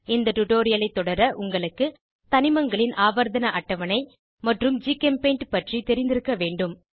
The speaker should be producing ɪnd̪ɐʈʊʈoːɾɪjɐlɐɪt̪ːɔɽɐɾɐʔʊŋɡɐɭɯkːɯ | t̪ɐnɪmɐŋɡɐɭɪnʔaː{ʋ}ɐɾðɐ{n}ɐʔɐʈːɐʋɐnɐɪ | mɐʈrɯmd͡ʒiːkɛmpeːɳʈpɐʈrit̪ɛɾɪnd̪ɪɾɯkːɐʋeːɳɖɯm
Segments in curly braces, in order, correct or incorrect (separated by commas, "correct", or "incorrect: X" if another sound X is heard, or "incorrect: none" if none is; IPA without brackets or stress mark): correct, correct